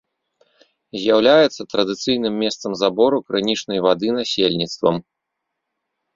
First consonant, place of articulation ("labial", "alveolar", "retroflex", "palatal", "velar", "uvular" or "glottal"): alveolar